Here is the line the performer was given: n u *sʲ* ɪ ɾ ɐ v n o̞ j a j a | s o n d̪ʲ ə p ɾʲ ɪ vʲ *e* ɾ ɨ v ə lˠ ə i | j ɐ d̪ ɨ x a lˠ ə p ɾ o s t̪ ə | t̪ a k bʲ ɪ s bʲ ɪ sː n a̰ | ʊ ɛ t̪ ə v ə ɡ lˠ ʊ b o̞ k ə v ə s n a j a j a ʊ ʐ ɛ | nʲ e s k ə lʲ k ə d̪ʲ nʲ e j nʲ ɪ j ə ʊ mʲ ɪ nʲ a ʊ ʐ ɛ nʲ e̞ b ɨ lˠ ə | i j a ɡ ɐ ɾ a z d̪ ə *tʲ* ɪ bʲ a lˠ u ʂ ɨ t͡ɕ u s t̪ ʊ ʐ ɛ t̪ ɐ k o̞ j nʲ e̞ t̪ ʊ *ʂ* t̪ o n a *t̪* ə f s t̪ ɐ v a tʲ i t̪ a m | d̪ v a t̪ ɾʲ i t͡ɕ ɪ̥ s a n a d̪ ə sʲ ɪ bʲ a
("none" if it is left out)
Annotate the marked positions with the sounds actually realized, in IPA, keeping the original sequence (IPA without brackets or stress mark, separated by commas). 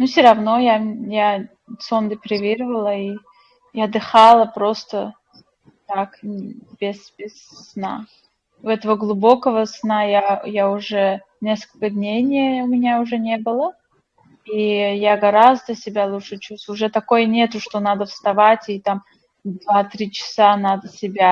sʲ, i, sʲ, ʂ, d̪